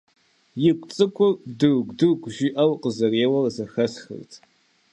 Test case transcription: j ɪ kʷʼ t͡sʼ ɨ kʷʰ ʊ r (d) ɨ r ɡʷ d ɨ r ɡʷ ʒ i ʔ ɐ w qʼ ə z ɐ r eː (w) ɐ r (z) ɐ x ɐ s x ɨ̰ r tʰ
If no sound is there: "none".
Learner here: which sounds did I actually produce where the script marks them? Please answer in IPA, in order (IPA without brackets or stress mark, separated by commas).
d, w, z